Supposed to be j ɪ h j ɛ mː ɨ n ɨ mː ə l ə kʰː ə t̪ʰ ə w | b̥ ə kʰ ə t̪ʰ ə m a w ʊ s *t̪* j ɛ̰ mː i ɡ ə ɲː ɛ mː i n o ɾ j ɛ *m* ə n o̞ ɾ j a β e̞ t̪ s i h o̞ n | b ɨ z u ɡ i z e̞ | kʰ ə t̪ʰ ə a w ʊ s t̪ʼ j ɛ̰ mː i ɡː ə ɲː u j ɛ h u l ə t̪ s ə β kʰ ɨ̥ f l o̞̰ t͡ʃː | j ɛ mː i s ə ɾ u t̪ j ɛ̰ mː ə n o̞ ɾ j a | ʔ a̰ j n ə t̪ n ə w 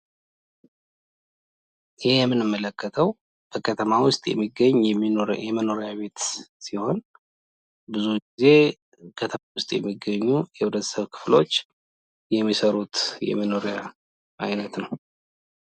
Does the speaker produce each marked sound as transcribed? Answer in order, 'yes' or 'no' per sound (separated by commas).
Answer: no, yes